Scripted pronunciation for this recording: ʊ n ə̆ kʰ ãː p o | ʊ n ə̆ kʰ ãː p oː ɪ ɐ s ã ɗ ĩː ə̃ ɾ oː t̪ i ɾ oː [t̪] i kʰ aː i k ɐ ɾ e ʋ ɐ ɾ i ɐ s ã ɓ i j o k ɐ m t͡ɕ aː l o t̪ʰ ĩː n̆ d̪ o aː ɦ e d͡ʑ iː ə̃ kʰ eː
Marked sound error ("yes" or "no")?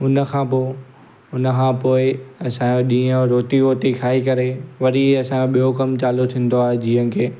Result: no